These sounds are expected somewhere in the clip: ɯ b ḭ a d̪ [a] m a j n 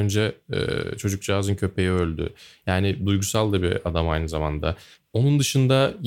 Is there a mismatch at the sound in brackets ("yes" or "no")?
no